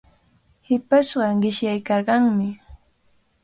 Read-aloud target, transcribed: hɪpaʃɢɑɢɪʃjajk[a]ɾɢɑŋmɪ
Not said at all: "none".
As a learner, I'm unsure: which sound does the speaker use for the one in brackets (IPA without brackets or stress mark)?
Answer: ɑ